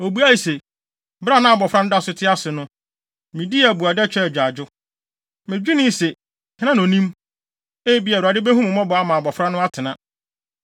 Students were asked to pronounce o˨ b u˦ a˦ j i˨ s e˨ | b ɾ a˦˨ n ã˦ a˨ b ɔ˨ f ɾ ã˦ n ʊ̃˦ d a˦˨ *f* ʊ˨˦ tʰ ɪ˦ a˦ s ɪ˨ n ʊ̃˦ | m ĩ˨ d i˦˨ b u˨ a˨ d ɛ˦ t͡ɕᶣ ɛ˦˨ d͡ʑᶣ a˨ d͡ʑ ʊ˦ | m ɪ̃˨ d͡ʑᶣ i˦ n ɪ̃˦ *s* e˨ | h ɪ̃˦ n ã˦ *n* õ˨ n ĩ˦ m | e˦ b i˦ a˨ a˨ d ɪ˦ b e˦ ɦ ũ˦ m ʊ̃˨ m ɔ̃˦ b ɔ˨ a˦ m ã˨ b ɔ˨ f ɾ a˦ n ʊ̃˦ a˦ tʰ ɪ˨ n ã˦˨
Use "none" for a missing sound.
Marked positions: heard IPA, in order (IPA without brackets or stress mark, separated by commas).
s, s, n